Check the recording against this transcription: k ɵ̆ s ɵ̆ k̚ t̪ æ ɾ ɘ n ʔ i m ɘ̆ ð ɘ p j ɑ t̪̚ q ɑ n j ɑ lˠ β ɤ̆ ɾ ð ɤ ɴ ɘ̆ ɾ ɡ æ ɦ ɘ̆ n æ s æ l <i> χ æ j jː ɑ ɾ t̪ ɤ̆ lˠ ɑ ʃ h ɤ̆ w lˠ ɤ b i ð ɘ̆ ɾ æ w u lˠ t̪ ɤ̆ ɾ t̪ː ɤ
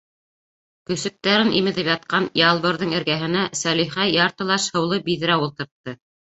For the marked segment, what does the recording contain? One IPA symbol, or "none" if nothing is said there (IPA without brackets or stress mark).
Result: i